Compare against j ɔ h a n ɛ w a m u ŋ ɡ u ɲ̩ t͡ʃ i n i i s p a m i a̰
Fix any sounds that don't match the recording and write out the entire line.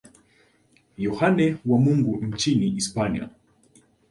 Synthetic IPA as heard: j ɔ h a n ɛ w a m u ŋ ɡ u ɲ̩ t͡ʃ i n i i s p a n i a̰